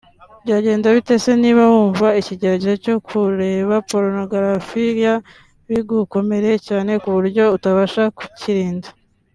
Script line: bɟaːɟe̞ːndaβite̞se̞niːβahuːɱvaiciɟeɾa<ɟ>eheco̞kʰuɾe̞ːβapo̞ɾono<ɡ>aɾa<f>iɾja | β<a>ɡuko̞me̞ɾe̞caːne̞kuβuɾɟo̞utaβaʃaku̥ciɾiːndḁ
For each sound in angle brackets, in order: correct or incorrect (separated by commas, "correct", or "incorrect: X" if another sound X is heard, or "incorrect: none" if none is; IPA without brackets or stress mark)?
correct, correct, correct, incorrect: i